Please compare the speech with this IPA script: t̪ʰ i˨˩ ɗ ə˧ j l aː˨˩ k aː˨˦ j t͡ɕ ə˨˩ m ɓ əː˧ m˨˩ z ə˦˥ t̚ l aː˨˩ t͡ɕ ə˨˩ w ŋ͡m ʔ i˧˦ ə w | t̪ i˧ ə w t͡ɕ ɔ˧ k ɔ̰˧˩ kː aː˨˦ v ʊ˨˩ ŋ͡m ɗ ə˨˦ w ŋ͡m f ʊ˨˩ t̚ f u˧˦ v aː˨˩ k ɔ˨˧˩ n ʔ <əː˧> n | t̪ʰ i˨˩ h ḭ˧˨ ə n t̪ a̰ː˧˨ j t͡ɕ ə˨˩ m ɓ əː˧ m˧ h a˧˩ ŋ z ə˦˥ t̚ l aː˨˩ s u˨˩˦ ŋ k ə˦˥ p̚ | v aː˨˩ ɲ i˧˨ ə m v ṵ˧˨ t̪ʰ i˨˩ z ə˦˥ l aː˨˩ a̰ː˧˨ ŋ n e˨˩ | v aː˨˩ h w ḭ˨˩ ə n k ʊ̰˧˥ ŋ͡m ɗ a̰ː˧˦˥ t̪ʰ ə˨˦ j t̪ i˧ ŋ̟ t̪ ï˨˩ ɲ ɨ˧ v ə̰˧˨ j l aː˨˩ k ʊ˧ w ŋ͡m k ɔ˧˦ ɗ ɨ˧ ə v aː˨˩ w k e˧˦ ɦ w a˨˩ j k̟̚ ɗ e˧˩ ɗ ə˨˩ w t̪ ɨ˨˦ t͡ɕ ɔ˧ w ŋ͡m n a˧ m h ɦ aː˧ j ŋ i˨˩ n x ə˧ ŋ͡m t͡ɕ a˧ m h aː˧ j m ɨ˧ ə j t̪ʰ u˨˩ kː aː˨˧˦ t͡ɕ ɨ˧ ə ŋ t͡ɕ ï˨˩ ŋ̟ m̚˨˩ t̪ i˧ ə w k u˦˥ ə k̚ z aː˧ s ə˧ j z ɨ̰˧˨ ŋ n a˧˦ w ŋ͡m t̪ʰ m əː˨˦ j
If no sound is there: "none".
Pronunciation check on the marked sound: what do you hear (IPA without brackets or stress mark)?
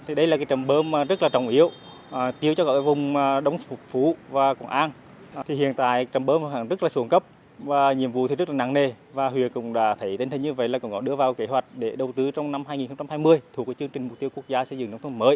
aː˧